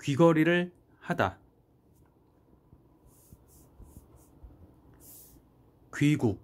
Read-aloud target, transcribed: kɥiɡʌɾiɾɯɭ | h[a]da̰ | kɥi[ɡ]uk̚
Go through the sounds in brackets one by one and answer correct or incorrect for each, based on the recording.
correct, correct

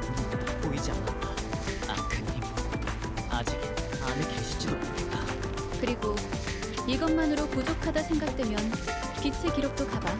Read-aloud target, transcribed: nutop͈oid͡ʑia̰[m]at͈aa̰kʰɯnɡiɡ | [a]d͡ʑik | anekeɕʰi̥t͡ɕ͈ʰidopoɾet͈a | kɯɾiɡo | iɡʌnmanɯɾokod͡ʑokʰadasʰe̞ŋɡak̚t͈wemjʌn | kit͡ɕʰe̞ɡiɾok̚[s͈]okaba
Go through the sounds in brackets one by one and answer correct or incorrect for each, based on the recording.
incorrect: n, correct, incorrect: t͈

